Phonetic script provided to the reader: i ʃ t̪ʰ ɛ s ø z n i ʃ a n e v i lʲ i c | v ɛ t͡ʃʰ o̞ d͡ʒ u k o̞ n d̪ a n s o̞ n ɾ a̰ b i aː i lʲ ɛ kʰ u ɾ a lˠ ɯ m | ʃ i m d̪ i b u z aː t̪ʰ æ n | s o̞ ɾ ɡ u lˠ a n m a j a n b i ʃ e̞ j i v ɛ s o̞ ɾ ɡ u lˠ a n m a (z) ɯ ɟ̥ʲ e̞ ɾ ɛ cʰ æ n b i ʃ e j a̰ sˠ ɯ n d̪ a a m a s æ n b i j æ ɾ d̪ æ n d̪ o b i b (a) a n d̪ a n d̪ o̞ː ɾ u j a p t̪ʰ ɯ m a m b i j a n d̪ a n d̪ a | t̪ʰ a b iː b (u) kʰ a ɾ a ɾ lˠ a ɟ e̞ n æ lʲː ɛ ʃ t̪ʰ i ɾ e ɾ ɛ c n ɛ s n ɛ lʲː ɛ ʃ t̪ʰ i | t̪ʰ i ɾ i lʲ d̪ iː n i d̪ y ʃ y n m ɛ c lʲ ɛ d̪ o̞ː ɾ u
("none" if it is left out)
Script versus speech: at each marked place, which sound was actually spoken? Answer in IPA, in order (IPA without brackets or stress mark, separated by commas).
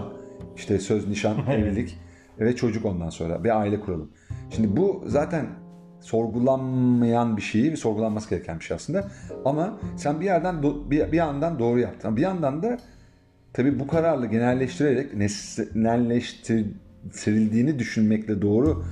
s, i, u